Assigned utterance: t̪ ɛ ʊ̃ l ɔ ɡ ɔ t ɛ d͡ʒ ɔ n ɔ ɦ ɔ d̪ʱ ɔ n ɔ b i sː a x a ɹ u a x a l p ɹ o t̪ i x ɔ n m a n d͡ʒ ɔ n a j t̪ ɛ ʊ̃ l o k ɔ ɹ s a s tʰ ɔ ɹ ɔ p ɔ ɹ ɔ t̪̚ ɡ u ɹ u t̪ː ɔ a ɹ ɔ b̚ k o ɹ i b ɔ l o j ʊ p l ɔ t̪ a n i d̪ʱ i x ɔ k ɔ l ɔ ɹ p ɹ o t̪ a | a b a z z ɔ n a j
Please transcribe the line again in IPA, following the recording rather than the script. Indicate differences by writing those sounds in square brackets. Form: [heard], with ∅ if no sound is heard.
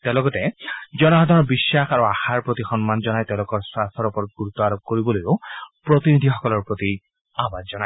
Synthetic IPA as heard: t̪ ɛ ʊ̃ l ɔ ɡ ɔ t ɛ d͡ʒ ɔ n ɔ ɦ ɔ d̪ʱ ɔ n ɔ b i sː a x a ɹ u a x a [ɹ] p ɹ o t̪ i x ɔ n m a n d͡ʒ ɔ n a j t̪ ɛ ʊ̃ l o k ɔ ɹ s a s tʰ ɔ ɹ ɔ p ɔ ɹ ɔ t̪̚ ɡ u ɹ u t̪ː ɔ a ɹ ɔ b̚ k o ɹ i b ɔ l o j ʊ p [ɹ] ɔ t̪ [i] n i d̪ʱ i x ɔ k ɔ l ɔ ɹ p ɹ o t̪ [i] | a b a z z ɔ n a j